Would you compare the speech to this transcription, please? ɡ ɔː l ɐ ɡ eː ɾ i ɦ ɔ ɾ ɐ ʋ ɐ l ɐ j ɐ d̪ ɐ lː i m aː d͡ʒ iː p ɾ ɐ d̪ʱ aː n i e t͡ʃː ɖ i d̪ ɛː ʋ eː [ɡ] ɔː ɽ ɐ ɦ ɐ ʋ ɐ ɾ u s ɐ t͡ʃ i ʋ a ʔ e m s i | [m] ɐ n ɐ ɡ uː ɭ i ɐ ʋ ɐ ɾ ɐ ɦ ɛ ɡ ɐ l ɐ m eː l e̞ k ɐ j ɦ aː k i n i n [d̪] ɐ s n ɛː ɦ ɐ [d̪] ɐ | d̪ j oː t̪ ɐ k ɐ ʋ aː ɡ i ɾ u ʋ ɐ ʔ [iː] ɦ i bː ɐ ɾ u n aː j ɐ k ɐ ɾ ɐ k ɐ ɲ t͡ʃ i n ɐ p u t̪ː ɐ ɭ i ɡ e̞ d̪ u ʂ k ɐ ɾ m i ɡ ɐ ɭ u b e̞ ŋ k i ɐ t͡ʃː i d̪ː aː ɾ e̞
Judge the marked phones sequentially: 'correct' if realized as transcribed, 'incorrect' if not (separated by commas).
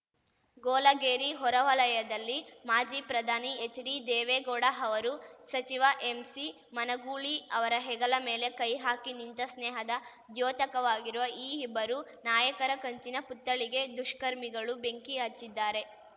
correct, correct, incorrect, correct, correct